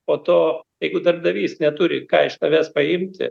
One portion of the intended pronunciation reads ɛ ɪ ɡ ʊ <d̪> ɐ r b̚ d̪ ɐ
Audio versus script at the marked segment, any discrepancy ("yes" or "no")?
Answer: no